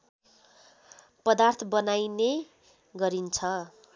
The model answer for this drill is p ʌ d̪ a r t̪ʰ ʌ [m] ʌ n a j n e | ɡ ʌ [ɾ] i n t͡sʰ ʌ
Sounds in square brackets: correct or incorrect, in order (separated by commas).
incorrect, correct